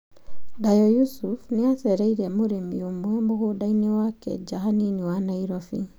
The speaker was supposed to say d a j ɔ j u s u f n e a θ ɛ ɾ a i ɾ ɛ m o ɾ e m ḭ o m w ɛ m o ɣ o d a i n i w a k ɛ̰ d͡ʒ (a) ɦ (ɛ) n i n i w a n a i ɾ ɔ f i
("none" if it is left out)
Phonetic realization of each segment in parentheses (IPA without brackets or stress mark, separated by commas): a, a